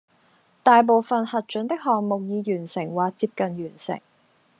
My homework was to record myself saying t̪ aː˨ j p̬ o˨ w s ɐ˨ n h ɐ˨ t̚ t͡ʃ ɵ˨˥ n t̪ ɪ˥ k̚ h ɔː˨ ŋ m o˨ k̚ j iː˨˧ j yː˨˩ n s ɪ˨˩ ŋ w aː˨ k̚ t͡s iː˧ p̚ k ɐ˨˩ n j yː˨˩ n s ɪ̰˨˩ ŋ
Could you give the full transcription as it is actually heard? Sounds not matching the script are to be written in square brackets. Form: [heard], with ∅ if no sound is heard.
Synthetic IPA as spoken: t̪ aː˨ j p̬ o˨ w [f] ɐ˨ n h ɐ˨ t̚ t͡ʃ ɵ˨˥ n t̪ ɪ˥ k̚ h ɔː˨ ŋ m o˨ k̚ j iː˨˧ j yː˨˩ n s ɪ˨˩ ŋ w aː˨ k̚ t͡s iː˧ p̚ k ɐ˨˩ n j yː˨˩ n s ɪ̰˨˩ ŋ